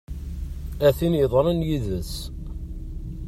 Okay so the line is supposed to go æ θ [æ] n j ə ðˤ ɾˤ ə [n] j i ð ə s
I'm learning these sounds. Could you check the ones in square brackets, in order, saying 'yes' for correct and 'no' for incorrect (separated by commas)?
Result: no, yes